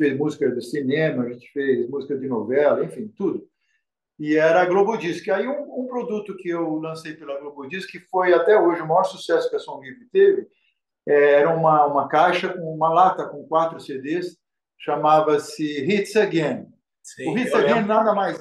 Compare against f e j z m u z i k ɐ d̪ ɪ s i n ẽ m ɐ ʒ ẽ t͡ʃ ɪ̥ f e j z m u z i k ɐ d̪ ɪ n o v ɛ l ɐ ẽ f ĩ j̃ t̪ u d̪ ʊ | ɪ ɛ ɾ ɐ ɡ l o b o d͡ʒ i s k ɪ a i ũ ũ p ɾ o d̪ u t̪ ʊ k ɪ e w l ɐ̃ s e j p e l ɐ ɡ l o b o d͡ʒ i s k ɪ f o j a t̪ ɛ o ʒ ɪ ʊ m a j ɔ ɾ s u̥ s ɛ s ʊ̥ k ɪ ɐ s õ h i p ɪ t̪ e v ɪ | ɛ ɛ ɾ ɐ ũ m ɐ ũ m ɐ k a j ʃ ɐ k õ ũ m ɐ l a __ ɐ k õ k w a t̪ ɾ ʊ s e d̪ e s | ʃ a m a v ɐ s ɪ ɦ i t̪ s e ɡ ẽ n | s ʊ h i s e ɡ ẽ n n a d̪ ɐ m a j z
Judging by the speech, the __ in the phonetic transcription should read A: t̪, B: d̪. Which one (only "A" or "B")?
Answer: A